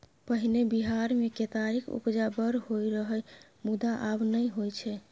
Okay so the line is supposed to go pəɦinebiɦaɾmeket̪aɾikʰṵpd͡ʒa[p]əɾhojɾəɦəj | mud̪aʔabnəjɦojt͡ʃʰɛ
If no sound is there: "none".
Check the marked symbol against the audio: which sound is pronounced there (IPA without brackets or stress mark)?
b